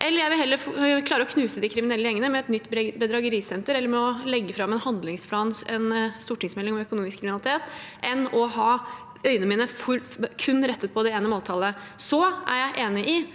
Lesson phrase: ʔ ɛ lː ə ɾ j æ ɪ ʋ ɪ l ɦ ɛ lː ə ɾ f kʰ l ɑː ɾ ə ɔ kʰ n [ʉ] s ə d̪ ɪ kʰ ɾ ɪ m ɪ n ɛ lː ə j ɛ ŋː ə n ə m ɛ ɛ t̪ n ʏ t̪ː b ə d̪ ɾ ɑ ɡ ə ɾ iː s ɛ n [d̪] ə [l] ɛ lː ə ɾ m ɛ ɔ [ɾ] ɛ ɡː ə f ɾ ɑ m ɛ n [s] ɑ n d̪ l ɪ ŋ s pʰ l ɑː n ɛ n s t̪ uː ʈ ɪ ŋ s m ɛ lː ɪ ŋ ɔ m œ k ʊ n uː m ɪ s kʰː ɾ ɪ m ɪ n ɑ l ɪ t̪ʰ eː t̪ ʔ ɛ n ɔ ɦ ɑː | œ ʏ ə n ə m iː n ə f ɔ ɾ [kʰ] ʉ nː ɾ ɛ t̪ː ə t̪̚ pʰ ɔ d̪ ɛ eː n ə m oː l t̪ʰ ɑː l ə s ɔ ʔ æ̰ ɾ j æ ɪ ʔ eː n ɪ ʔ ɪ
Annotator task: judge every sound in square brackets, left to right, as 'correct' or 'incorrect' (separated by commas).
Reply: incorrect, incorrect, incorrect, incorrect, incorrect, correct